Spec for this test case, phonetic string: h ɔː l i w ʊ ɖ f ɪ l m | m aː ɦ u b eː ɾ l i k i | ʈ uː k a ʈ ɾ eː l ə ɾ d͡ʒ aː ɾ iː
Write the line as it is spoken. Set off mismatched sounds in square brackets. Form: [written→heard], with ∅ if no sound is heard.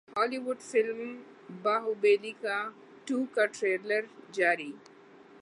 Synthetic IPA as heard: h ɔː l i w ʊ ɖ f ɪ l m | [m→b] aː ɦ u b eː [ɾ→∅] l i k [i→a] | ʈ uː k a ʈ ɾ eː l ə ɾ d͡ʒ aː ɾ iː

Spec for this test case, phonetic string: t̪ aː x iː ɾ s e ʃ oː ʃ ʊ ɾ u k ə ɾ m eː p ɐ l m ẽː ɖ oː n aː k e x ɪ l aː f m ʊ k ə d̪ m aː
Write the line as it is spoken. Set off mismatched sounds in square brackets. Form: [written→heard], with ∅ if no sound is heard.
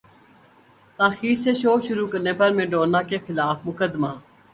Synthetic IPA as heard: t̪ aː x iː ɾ s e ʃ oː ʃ ʊ ɾ u k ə ɾ [m→n] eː p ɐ [l→ɾ] m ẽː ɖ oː n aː k e x ɪ l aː f m ʊ k ə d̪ m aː

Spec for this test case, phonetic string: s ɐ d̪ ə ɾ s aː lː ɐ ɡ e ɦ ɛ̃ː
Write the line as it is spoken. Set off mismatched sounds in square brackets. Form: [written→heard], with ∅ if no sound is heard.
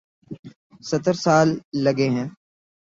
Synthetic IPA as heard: s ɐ [d̪→t̪] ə ɾ s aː lː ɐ ɡ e ɦ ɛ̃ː

